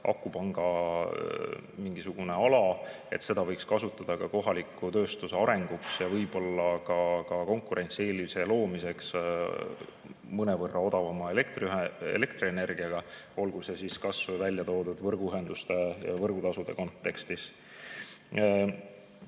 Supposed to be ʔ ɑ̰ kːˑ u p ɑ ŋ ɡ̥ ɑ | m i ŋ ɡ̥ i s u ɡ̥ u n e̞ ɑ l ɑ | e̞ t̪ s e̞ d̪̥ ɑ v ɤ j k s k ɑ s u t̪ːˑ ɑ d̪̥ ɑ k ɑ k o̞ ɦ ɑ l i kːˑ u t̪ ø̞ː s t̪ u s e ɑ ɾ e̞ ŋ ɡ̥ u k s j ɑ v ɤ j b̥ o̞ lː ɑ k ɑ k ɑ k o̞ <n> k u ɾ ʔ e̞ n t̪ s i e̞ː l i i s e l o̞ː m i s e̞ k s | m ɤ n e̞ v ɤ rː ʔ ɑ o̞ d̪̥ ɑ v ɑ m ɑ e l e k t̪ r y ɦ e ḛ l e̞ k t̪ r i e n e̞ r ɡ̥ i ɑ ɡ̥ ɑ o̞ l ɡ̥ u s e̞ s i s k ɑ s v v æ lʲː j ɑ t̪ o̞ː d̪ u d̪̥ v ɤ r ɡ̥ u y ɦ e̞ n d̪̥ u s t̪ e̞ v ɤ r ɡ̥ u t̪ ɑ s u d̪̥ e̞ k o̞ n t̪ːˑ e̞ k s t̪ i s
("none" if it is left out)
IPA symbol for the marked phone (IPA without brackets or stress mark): ŋ